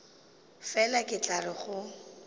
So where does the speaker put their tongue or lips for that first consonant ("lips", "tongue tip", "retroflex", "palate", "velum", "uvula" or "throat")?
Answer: lips